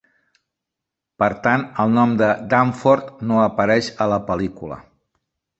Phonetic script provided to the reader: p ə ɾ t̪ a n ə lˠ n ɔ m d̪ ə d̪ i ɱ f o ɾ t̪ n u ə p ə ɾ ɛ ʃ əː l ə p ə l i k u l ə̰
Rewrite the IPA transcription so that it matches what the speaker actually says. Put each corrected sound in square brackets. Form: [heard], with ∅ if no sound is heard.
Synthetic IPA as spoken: p ə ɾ t̪ a n ə lˠ n ɔ m d̪ ə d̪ [a] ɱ f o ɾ t̪ n [o] ə p ə ɾ ɛ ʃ [ə] l ə p ə l i k u l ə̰